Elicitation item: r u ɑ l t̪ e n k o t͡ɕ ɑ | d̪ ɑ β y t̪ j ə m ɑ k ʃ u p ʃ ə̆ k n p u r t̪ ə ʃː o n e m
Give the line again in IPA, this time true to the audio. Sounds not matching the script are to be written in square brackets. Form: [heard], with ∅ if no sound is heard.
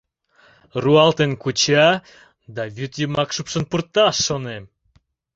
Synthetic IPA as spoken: r u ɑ l t̪ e n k [u] t͡ɕ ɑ | d̪ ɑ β y t̪ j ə m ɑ k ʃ u p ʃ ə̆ [∅] n p u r t̪ [ɑ] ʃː o n e m